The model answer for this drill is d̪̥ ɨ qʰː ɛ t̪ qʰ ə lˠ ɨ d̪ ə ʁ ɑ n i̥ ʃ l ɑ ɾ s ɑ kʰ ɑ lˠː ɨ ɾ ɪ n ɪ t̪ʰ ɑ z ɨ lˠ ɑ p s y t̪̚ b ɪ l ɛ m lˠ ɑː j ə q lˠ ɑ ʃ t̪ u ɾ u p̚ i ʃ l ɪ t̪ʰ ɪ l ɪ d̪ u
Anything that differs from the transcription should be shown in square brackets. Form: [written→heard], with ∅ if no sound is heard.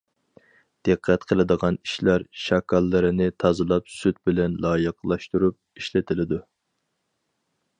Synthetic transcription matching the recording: d̪̥ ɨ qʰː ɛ t̪ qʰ ə lˠ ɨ d̪ ə ʁ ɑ n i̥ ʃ l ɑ ɾ [s→ʃ] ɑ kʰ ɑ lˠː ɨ ɾ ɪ n ɪ t̪ʰ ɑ z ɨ lˠ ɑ p s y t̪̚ b ɪ l ɛ [m→n] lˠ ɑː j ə q lˠ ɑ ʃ t̪ u ɾ u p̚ i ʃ l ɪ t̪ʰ ɪ l ɪ d̪ u